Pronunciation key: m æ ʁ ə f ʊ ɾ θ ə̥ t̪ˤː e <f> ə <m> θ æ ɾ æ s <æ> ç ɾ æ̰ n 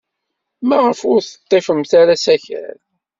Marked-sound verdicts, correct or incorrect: correct, correct, correct

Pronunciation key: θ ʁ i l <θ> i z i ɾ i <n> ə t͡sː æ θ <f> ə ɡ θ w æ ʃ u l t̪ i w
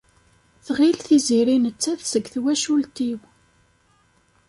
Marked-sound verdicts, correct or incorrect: correct, correct, incorrect

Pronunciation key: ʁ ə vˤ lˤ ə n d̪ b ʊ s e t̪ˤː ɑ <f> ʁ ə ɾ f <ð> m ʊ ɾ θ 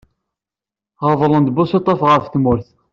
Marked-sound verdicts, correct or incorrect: correct, incorrect

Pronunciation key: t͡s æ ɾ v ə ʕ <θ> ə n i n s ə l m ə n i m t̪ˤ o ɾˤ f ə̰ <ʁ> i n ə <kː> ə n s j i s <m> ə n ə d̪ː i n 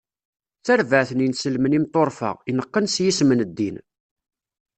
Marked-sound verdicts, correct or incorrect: correct, correct, incorrect, correct

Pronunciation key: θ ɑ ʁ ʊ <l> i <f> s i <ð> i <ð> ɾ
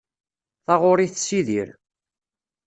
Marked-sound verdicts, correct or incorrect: incorrect, incorrect, correct, incorrect

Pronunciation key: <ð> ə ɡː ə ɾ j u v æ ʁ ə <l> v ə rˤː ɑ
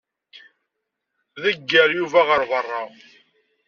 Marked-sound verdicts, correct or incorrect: correct, incorrect

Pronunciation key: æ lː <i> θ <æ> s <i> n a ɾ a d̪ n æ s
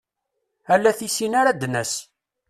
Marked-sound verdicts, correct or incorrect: incorrect, incorrect, correct

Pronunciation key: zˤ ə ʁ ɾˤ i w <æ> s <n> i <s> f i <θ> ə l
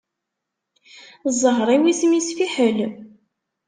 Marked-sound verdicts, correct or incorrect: incorrect, incorrect, correct, incorrect

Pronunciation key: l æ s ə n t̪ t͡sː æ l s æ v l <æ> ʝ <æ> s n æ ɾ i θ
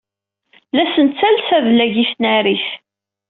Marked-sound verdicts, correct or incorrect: correct, incorrect

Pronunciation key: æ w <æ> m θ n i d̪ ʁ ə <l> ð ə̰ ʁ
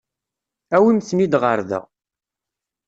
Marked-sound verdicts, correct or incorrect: incorrect, incorrect

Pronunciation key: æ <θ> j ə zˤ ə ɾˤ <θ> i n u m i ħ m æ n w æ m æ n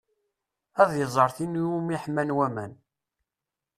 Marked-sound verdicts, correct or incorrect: incorrect, correct

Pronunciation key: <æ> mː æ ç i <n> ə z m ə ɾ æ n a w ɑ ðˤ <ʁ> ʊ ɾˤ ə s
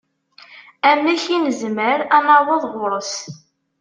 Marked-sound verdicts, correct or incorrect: correct, correct, correct

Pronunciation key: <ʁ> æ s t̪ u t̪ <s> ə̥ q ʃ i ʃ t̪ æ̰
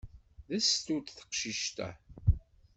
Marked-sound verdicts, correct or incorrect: incorrect, incorrect

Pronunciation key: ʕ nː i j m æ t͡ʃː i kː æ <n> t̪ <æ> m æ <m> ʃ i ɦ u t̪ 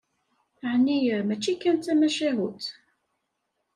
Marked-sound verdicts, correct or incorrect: correct, correct, incorrect

